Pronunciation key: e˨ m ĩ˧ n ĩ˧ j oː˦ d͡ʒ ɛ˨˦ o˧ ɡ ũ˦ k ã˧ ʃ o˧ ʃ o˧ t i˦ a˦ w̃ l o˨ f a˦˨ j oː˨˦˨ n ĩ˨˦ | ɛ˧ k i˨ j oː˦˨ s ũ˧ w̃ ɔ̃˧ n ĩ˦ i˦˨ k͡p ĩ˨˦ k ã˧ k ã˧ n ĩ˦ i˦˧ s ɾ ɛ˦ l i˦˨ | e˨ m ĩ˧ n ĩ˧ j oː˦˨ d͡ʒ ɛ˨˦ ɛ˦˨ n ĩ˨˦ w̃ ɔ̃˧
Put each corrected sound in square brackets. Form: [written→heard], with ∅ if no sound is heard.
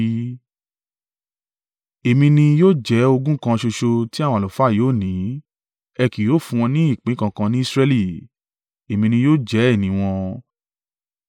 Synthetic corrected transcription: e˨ m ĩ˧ n ĩ˧ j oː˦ d͡ʒ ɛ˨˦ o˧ ɡ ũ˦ k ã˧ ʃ o˧ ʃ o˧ t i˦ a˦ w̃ l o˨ f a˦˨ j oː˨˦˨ n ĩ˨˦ | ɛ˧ k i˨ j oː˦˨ [s→f] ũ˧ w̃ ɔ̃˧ n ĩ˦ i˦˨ k͡p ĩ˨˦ k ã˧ k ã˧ n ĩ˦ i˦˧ s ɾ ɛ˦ l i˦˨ | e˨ m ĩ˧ n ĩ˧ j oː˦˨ d͡ʒ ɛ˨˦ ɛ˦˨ n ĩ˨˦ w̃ ɔ̃˧